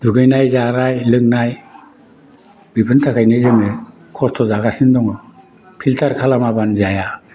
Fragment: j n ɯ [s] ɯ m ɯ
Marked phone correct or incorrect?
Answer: incorrect